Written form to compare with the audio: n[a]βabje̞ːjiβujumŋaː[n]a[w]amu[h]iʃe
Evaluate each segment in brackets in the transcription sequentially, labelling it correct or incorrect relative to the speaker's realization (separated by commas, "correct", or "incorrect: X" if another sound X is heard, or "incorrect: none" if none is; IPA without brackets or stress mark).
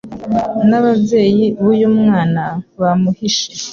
correct, correct, incorrect: β, correct